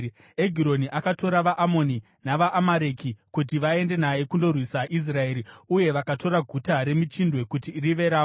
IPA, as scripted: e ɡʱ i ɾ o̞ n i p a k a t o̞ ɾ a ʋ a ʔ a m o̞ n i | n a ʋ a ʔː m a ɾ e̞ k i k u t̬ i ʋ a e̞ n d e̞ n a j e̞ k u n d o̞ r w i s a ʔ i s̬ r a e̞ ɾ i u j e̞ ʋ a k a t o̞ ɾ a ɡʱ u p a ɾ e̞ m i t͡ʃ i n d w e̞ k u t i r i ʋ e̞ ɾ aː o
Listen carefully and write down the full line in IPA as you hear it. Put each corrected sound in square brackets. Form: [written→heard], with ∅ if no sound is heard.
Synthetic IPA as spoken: e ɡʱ i ɾ o̞ n i [p→ʔ] a k a t o̞ ɾ a ʋ a ʔ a m o̞ n i | n a ʋ a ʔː m a ɾ e̞ k i k u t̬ i ʋ a e̞ n d e̞ n a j e̞ k u n d o̞ r w i s a ʔ i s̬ r a e̞ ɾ i u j e̞ ʋ a k a t o̞ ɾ a ɡʱ u [p→t] a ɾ e̞ m i t͡ʃ i n d w e̞ k u t i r i ʋ e̞ ɾ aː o